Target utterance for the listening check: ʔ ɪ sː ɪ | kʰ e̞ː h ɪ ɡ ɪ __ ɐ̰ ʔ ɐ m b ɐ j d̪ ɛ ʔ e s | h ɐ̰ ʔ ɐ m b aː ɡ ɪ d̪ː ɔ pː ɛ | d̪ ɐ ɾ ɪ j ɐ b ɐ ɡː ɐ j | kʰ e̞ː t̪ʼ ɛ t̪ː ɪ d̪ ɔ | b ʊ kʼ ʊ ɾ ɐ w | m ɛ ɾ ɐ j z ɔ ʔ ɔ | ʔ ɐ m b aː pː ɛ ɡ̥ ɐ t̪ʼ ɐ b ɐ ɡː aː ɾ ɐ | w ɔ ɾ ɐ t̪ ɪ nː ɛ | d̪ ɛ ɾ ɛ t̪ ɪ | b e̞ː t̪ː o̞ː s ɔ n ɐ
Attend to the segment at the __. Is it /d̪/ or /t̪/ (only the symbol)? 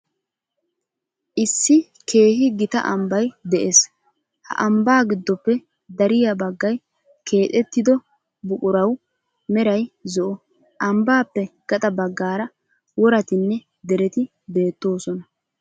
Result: t̪